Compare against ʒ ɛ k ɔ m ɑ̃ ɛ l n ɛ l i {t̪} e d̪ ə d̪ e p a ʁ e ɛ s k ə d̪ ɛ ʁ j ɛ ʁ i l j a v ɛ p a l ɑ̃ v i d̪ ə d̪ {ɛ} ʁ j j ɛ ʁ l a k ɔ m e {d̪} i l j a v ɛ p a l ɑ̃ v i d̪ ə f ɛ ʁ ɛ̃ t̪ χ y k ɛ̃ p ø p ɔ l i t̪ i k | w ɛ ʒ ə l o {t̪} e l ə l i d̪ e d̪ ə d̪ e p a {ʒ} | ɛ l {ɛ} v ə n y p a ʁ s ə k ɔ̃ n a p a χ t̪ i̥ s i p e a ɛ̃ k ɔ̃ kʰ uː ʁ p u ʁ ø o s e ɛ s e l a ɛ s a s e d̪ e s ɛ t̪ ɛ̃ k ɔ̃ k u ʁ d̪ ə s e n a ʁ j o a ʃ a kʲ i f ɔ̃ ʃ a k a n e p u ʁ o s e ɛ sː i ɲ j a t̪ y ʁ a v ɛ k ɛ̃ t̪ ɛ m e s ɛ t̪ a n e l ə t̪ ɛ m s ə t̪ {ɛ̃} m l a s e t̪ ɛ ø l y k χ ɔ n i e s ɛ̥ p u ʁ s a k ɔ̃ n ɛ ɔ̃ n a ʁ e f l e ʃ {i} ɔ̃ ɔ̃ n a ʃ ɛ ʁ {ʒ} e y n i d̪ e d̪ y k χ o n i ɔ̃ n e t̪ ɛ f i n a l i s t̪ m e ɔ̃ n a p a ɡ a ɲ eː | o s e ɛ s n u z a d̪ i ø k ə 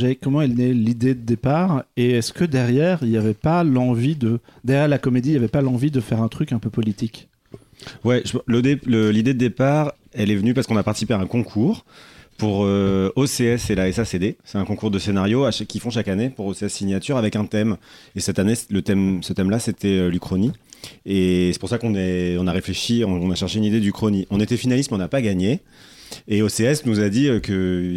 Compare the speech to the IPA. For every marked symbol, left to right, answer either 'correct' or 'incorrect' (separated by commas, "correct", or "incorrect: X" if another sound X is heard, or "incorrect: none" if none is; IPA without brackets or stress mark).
incorrect: d̪, correct, correct, incorrect: d̪, incorrect: ʁ, correct, incorrect: ɛ, correct, incorrect: ʃ